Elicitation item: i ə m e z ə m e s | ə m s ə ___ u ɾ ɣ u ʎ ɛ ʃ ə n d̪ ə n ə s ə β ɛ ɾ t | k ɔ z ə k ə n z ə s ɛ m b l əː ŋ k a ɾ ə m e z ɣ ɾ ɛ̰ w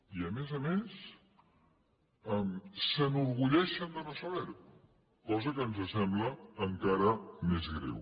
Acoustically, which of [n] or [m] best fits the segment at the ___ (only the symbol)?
n